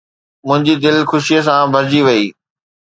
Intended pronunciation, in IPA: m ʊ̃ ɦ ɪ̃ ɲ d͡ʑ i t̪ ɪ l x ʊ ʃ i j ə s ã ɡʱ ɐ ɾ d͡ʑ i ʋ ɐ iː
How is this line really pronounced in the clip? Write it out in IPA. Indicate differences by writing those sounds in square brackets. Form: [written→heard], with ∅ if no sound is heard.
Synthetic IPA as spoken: m ʊ̃ ɦ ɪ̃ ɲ d͡ʑ i [t̪→d̪] ɪ l x ʊ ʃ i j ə s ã [ɡʱ→bʱ] ɐ ɾ d͡ʑ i ʋ ɐ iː